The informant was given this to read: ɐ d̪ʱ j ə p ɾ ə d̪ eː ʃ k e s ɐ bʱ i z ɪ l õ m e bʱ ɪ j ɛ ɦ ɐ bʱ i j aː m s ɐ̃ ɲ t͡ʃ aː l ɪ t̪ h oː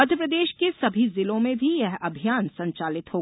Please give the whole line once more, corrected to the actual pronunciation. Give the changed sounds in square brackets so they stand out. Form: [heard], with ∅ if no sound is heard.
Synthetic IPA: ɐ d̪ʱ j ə p ɾ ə d̪ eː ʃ k e s ɐ bʱ i z ɪ l õ m [ẽ] bʱ [i] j ɛ ɦ ɐ bʱ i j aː [n] s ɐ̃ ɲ t͡ʃ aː l ɪ t̪ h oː